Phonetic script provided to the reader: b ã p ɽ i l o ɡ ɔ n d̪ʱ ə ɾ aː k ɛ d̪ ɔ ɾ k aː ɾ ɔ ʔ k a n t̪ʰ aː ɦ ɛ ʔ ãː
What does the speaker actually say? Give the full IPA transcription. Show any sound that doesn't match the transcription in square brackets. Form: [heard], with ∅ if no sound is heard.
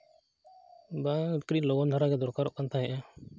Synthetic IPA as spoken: b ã [k] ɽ i l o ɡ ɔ n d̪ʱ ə ɾ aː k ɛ d̪ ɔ ɾ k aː ɾ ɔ ʔ k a n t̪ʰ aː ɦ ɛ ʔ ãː

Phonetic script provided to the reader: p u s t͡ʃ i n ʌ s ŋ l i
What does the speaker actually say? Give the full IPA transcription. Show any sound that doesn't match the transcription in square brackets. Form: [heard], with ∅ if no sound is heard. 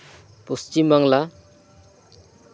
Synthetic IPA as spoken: p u s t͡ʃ i [m] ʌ [∅] ŋ l [a]

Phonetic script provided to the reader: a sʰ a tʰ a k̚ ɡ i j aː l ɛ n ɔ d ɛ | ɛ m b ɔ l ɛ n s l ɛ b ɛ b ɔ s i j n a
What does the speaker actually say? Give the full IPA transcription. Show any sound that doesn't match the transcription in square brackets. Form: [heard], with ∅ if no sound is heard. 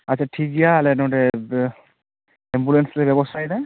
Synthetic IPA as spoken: a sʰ a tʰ [i] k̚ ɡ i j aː l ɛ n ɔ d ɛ | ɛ m b [u] l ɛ n s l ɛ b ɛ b ɔ s [a] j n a

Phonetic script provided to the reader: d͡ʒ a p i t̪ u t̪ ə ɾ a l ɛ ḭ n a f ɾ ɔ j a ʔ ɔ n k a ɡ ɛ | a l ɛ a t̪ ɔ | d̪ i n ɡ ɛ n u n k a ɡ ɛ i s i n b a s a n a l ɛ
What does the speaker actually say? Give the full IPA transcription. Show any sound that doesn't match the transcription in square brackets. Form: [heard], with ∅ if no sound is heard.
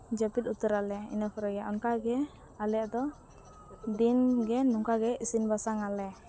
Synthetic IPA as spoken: d͡ʒ a p i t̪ u t̪ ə ɾ a l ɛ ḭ n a f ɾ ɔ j a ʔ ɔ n k a ɡ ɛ | a l ɛ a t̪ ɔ | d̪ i n ɡ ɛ n u [ŋ] k a ɡ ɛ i s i n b a s a [ŋ] a l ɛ

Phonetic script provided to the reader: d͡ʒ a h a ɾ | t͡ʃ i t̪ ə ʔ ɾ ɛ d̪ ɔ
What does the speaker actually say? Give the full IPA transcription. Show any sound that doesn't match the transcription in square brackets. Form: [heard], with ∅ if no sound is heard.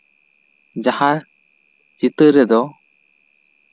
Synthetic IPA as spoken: d͡ʒ a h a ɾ | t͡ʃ i t̪ ə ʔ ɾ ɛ d̪ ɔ

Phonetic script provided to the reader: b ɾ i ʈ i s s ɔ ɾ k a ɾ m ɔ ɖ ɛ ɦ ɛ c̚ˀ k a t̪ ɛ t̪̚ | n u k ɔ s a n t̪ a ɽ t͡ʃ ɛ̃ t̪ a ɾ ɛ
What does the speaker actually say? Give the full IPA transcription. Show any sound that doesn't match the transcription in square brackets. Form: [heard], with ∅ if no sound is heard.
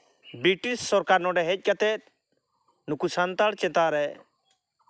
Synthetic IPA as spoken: b ɾ i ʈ i s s ɔ ɾ k a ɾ [n] ɔ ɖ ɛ ɦ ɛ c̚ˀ k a t̪ ɛ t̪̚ | n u k [u] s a n t̪ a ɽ t͡ʃ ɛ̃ t̪ a ɾ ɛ

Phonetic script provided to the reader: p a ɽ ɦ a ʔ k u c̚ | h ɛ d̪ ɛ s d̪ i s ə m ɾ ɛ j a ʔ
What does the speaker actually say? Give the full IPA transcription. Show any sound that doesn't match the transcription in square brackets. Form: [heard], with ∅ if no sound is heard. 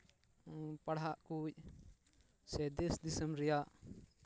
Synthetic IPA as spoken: p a ɽ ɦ a ʔ k u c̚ | [s] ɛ d̪ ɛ s d̪ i s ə m ɾ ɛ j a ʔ

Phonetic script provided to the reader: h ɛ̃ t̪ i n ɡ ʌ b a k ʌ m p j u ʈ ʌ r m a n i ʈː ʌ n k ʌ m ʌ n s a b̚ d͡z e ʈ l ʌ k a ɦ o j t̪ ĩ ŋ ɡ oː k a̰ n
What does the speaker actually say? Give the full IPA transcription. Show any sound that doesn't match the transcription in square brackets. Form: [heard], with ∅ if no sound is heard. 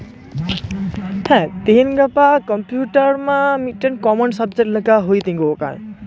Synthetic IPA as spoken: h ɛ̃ t̪ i n ɡ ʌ [p] a k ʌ m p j u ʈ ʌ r m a [m] i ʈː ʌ n k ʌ m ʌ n s [ʌ] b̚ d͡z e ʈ l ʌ k a ɦ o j t̪ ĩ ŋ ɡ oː k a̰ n

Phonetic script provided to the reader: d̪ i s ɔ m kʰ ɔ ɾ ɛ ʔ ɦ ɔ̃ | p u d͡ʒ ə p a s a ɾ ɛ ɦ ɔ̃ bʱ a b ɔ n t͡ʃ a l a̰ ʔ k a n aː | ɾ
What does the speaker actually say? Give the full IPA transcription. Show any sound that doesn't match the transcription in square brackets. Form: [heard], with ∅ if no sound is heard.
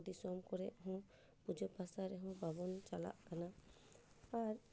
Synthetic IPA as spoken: d̪ i s ɔ m [k] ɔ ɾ ɛ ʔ ɦ ɔ̃ | p u d͡ʒ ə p a s a ɾ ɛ ɦ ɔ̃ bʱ a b ɔ n t͡ʃ a l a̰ ʔ k a n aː | ɾ

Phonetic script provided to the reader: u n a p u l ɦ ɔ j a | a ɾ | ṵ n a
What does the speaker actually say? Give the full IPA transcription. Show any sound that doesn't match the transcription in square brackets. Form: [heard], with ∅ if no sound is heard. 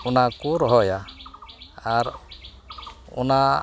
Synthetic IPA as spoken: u n a [k] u [ɾ] ɦ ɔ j a | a ɾ | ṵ n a

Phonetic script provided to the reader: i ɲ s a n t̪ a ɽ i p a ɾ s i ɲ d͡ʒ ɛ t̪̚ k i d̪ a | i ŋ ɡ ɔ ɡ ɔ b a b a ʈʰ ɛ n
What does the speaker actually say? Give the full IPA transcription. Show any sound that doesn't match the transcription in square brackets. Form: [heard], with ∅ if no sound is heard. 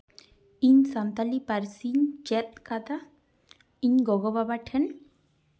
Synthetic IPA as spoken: i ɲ s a n t̪ a [l] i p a ɾ s i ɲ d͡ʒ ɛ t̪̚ k [a] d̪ a | i [ɲ] ɡ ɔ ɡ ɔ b a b a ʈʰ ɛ n

